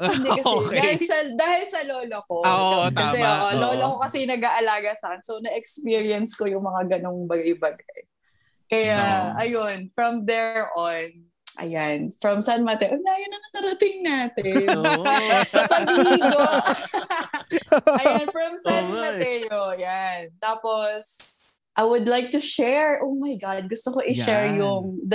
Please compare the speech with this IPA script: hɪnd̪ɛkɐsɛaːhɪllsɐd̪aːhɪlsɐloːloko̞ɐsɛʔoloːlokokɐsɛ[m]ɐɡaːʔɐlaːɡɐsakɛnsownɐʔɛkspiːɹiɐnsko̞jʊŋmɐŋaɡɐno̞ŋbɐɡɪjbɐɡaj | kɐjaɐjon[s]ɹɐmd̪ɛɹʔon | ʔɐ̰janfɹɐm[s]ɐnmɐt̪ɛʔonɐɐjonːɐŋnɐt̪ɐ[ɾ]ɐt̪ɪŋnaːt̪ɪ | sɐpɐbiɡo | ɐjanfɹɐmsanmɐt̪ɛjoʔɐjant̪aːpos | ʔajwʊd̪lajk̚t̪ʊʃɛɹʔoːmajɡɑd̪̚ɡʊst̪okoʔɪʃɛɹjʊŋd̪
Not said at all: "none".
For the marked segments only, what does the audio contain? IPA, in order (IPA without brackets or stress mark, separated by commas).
n, f, s, ɾ